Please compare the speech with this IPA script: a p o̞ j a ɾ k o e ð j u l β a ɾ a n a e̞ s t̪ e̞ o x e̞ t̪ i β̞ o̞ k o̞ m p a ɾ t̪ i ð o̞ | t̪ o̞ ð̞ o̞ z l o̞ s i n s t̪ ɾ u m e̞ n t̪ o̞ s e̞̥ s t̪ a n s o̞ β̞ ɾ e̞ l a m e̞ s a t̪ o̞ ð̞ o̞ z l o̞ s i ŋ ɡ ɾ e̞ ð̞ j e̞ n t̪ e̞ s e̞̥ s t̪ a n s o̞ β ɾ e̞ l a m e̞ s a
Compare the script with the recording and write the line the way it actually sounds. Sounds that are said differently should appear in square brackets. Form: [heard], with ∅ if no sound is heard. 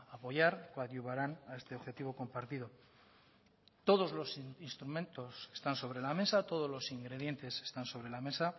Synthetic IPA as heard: a p o̞ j a ɾ k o [a] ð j u [∅] β a ɾ a n a e̞ s t̪ e̞ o x e̞ t̪ i β̞ o̞ k o̞ m p a ɾ t̪ i ð o̞ | t̪ o̞ ð̞ o̞ z l o̞ s i n s t̪ ɾ u m e̞ n t̪ o̞ s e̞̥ s t̪ a n s o̞ β̞ ɾ e̞ l a m e̞ s a t̪ o̞ ð̞ o̞ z l o̞ s i ŋ ɡ ɾ e̞ ð̞ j e̞ n t̪ e̞ s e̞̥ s t̪ a n s o̞ β ɾ e̞ l a m e̞ s a